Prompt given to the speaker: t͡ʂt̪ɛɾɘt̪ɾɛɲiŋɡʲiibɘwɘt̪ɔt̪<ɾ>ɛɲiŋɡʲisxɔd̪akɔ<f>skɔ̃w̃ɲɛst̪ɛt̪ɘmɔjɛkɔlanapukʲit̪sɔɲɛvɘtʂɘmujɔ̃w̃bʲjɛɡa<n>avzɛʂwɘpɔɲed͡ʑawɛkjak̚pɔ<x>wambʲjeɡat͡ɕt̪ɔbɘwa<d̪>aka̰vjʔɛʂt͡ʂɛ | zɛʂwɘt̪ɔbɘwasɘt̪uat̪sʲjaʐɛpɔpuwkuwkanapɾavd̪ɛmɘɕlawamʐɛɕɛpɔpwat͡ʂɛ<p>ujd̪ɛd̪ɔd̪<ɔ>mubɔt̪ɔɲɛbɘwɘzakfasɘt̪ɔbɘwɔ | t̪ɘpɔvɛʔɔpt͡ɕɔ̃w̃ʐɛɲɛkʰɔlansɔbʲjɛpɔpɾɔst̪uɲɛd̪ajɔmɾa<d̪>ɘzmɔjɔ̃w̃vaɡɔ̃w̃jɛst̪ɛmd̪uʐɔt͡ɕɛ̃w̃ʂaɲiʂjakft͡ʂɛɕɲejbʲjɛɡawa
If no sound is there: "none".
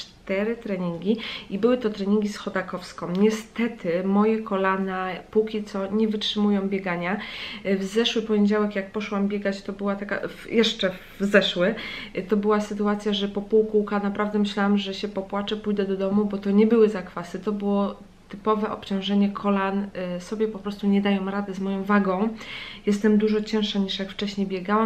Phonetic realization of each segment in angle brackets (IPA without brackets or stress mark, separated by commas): ɾ, f, ɲ, ʂ, t̪, p, ɔ, d̪